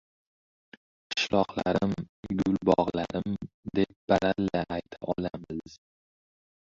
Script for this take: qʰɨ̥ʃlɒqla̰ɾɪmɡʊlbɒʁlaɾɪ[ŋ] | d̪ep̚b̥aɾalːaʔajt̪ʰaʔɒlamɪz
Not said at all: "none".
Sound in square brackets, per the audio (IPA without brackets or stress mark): m